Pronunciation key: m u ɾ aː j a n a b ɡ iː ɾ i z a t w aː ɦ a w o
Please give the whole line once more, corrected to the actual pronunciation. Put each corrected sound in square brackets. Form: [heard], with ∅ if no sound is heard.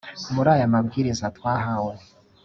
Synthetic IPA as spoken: m u ɾ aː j a [m] a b ɡ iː ɾ i z a t w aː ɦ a w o